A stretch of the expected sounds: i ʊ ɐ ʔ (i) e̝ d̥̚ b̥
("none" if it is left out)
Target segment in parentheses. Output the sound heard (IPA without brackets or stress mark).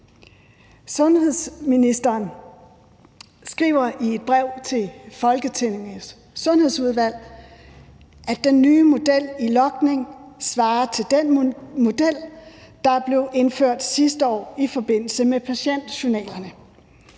i